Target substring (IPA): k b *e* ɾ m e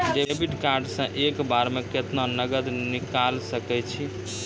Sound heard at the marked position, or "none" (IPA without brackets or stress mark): a